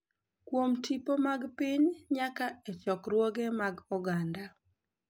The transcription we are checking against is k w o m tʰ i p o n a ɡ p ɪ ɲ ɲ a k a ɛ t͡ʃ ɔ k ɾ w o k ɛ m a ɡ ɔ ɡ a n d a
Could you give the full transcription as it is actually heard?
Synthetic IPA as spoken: k w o m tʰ i p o m a ɡ p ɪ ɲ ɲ a k a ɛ t͡ʃ ɔ k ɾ w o ɡ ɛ m a ɡ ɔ ɡ a n d a